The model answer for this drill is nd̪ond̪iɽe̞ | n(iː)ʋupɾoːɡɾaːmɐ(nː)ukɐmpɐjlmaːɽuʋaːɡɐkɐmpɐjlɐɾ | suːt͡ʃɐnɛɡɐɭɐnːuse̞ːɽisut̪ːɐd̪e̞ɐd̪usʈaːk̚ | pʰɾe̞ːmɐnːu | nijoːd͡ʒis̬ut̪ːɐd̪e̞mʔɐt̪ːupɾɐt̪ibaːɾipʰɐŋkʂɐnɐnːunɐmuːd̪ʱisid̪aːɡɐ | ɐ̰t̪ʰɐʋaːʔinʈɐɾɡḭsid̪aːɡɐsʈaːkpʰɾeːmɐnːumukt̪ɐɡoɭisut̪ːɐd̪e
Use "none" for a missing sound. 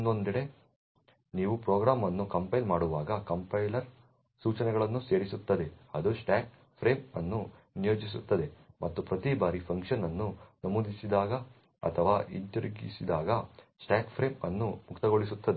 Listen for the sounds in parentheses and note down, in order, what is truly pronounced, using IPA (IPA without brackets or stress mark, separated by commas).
iː, nː